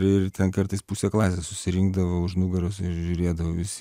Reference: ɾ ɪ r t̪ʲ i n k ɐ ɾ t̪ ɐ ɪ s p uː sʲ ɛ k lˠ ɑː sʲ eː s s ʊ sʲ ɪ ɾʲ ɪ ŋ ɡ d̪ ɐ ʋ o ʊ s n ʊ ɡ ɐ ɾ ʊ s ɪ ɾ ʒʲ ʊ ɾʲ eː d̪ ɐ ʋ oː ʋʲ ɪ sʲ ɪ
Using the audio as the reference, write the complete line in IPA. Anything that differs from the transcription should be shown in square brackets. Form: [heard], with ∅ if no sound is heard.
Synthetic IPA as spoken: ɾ ɪ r t̪ʲ [ɛ] n k ɐ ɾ t̪ ɐ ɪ s p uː sʲ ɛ k lˠ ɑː sʲ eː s s ʊ sʲ ɪ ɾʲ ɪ ŋ ɡ d̪ ɐ ʋ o ʊ [ʃ] n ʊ ɡ ɐ ɾ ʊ s ɪ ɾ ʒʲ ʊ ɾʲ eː d̪ ɐ ʋ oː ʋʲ ɪ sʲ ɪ